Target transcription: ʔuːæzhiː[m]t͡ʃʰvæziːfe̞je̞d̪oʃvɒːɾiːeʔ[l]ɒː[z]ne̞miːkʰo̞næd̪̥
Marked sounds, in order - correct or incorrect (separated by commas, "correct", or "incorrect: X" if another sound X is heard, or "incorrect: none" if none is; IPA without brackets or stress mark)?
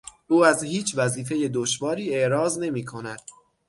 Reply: incorrect: none, incorrect: ɾ, correct